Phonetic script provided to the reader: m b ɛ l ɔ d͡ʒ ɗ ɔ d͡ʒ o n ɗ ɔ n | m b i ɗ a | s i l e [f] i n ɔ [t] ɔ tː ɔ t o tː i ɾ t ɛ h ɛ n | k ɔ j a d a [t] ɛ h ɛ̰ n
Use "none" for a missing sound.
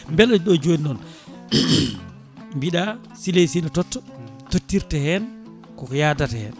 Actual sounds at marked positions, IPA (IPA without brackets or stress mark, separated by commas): s, t, t